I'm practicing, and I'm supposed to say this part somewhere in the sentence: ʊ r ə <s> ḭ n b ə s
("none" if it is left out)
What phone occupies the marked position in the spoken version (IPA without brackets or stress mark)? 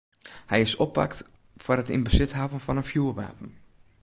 t